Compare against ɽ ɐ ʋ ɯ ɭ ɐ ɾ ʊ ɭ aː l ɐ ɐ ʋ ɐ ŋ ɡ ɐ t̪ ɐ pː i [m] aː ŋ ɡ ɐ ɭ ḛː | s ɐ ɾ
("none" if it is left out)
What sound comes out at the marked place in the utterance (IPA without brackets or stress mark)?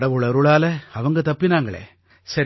n